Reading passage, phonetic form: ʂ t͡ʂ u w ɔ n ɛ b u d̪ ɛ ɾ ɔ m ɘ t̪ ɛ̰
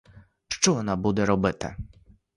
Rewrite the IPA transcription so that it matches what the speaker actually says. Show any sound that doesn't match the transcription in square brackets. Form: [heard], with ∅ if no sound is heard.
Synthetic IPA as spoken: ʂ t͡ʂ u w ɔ n [a] b u d̪ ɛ ɾ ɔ [b] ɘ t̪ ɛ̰